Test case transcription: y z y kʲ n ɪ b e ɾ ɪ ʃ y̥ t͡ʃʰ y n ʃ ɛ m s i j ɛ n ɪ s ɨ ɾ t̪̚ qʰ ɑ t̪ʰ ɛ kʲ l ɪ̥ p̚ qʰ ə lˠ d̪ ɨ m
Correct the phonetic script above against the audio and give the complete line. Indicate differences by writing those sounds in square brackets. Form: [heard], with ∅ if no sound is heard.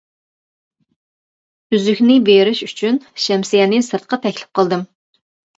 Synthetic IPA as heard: y z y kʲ n ɪ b e ɾ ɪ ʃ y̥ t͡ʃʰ y n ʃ ɛ m s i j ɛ n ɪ s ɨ ɾ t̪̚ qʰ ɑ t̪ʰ ɛ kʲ l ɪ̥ p̚ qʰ ə lˠ d̪ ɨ m